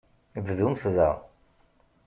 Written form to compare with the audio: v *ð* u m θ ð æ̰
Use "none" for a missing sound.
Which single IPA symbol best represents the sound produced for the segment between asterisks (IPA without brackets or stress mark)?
ð